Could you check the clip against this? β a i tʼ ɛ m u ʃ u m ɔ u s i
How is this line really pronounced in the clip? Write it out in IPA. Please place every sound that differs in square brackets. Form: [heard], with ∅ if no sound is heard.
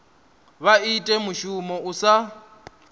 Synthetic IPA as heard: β a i tʼ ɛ m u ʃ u m ɔ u s [a]